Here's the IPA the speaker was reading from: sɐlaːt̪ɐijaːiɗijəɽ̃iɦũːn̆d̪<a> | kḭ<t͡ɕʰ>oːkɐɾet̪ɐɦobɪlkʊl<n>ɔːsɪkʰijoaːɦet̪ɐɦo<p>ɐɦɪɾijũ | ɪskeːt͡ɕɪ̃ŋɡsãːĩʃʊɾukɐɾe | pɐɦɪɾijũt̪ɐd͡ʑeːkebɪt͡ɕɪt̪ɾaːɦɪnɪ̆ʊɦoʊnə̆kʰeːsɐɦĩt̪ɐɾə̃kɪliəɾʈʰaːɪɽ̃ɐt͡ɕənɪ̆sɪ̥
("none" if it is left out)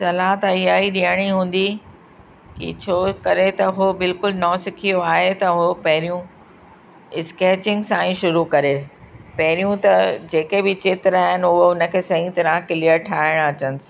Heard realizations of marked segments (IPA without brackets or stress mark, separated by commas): i, t͡ɕʰ, n, p